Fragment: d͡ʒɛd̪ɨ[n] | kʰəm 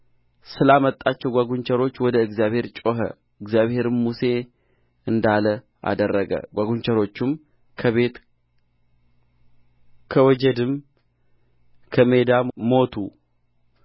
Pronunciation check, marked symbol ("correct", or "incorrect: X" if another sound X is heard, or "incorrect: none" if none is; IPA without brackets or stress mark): incorrect: m